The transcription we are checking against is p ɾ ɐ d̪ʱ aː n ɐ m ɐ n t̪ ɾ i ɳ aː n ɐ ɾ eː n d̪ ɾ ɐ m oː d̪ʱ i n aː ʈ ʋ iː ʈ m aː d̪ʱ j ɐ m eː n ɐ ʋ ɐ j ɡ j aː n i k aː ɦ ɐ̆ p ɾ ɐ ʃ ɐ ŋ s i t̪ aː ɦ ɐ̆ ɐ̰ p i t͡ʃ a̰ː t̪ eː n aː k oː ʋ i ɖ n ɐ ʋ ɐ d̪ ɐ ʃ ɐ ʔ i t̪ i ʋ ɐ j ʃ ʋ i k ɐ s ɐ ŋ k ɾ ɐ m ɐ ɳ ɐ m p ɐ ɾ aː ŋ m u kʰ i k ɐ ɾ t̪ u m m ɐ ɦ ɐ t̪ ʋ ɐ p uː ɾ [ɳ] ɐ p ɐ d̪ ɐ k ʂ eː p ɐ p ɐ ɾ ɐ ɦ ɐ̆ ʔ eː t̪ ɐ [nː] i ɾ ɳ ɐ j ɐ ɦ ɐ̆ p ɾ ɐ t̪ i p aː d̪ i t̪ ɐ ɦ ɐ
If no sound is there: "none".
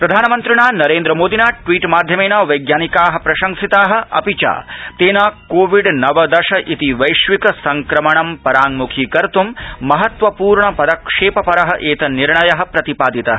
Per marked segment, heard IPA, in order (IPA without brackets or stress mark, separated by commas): ɳ, n